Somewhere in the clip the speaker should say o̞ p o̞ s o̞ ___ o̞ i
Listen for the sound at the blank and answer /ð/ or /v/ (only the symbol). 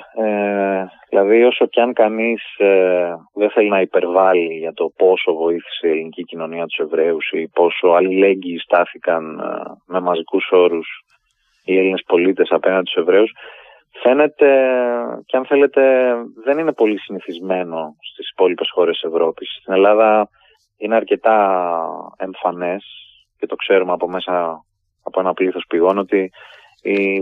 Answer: v